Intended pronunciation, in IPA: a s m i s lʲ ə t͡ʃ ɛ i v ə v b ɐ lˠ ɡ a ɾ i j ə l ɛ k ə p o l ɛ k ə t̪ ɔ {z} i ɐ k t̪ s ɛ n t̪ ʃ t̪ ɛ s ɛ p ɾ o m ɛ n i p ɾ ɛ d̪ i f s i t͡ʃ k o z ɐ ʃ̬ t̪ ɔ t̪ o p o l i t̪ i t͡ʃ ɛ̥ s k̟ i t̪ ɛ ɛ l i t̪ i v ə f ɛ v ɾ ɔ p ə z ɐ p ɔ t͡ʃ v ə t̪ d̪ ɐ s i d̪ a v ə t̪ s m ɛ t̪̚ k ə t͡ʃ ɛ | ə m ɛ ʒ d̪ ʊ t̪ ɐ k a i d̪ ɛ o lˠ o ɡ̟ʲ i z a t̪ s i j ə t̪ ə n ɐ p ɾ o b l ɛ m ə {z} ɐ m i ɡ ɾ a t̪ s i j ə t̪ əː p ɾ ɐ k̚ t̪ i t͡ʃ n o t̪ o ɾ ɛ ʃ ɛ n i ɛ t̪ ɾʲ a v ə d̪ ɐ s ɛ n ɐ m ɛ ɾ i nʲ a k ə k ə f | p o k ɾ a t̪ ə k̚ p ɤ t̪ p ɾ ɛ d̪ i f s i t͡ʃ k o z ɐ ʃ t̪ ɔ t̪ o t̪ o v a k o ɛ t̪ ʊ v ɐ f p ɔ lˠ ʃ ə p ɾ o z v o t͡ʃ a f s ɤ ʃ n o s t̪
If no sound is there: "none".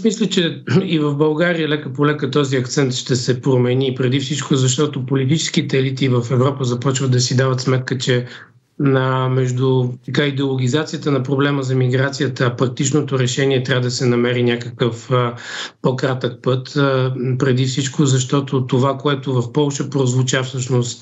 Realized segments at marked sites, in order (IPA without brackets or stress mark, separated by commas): z, z